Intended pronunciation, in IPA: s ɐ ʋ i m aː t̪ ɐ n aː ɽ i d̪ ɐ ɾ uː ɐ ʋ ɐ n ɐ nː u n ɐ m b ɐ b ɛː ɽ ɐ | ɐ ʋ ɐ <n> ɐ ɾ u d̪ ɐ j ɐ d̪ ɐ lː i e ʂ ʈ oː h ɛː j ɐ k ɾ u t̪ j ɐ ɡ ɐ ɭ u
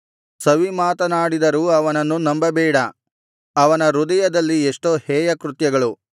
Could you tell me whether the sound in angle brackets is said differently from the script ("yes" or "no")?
no